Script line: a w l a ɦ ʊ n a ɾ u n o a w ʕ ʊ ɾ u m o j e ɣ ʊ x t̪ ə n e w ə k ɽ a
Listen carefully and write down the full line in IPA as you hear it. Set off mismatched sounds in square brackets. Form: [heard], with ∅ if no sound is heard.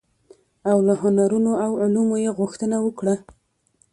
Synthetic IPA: a w l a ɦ ʊ n a ɾ u n o a w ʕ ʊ [l] u m o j e ɣ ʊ x t̪ ə n [a] w ə k ɽ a